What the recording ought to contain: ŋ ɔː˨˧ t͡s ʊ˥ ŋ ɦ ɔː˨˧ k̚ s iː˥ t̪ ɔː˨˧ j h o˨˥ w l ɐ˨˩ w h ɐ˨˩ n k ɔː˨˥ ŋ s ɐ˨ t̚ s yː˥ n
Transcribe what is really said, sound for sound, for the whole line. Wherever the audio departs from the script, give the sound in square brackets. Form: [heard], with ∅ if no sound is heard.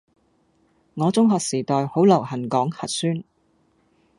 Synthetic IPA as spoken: ŋ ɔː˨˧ t͡s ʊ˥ ŋ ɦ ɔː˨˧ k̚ s [iː˨˩] t̪ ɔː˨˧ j h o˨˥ w l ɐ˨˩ w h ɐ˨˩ n k ɔː˨˥ ŋ [h] ɐ˨ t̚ s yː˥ n